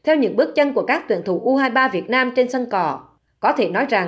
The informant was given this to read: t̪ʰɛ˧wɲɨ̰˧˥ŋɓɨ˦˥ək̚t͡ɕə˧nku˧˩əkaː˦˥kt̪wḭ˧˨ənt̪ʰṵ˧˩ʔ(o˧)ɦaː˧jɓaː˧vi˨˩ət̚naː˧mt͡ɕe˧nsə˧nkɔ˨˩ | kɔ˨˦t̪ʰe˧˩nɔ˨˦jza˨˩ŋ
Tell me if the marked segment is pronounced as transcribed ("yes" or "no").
no